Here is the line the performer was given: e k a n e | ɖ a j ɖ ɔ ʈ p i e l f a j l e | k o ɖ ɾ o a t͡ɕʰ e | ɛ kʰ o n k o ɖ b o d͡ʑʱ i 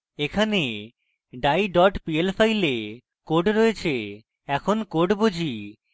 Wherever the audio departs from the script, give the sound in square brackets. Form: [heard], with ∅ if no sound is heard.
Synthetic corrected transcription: e [kʰ] a n e | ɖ a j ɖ ɔ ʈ p i e l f a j l e | k o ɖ ɾ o [e] t͡ɕʰ e | ɛ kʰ o n k o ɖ b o d͡ʑʱ i